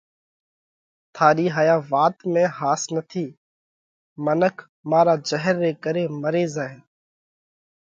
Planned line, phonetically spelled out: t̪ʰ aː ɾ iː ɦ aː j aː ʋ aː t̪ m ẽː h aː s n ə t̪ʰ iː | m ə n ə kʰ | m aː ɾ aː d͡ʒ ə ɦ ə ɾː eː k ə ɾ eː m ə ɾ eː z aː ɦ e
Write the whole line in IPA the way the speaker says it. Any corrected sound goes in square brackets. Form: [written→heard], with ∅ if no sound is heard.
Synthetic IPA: t̪ʰ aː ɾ iː ɦ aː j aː ʋ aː t̪ m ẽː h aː s n ə t̪ʰ iː | m ə n ə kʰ | m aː ɾ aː d͡ʒ ə ɦ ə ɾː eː k ə ɾ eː m ə ɾ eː z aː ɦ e